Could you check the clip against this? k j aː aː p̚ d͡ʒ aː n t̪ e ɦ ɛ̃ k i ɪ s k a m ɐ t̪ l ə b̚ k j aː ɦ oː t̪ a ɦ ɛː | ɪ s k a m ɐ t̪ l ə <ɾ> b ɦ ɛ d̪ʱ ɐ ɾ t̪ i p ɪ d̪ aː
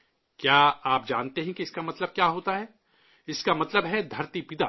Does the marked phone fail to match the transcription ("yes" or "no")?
yes